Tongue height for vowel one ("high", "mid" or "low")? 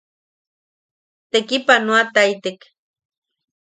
mid